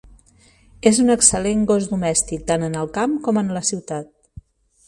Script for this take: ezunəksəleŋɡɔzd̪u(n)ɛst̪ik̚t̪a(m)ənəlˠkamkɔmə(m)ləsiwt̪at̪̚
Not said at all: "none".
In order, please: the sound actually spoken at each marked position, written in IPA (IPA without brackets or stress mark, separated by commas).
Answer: m, n, n